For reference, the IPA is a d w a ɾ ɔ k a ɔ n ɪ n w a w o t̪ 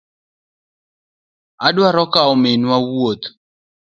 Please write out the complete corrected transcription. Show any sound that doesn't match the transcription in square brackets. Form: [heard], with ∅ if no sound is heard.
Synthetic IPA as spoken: a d w a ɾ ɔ k a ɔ [m] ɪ n w a w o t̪